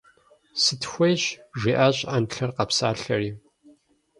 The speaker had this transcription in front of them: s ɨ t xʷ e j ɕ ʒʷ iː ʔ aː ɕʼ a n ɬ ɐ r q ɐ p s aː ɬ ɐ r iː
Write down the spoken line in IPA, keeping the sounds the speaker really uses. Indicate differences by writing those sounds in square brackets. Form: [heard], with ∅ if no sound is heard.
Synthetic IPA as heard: s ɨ t xʷ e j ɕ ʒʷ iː ʔ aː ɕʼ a n ɬ ɐ r q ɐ p s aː ɬ ɐ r iː